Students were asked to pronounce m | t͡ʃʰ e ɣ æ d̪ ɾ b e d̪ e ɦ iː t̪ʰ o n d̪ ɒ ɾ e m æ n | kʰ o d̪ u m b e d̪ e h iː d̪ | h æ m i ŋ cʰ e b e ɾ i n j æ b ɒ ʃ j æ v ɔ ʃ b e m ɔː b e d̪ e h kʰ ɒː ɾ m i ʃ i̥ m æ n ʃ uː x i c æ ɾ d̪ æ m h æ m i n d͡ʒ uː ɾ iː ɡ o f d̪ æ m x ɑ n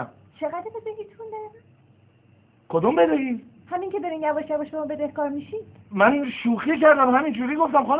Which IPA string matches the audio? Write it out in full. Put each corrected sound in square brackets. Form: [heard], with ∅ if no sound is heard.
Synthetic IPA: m | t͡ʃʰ e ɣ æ d̪ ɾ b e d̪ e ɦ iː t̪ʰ [u] n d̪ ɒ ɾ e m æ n | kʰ o d̪ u m b e d̪ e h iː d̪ | h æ m i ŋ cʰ e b e ɾ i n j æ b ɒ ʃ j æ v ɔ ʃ b e m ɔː b e d̪ e h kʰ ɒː ɾ m i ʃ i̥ m æ n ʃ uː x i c æ ɾ d̪ æ m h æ m i n d͡ʒ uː ɾ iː ɡ o f [t̪] æ m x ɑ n